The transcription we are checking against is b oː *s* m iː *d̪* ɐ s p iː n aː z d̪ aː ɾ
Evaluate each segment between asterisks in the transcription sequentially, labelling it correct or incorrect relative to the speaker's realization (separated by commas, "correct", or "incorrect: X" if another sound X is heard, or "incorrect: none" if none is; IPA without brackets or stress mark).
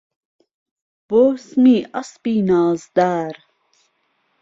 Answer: correct, incorrect: none